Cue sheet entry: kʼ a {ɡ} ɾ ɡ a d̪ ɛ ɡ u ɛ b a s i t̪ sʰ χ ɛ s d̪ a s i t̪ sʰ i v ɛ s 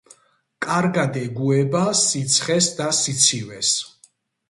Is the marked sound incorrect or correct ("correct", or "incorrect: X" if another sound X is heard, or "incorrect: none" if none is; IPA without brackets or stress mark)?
incorrect: none